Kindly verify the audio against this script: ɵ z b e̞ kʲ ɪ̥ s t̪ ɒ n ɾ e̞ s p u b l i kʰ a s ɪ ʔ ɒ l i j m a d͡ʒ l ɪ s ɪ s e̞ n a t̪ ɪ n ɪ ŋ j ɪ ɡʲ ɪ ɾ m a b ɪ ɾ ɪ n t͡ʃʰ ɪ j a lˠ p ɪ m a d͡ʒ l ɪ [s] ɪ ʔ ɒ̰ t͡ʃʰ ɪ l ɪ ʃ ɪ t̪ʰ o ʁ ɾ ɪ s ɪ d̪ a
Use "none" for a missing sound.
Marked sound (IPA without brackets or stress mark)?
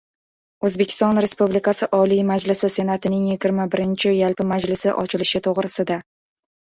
s